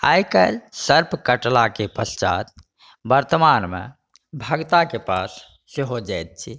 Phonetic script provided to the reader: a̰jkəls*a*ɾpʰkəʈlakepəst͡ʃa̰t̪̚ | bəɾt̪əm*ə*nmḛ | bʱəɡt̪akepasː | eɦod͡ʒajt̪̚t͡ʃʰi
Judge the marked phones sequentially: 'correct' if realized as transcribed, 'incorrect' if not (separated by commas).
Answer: incorrect, incorrect